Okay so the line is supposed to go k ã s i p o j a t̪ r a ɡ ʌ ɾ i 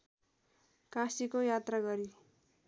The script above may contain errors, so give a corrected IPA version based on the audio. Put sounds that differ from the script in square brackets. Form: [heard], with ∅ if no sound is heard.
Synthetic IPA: k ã s i [k] o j a t̪ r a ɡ ʌ ɾ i